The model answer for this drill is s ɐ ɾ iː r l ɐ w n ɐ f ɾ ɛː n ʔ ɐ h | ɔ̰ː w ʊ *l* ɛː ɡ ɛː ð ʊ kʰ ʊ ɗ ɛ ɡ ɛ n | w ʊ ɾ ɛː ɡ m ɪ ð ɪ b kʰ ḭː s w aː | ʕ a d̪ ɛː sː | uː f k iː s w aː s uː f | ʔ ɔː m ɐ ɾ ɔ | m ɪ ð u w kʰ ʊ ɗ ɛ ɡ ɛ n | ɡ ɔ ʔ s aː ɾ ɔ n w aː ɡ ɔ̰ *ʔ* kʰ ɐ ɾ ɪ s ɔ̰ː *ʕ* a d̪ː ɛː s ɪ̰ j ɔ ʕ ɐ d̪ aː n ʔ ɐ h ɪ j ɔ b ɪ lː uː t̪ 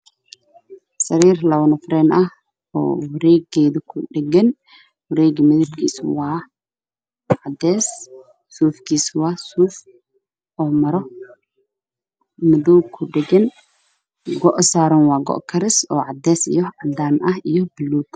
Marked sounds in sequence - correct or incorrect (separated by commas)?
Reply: incorrect, correct, correct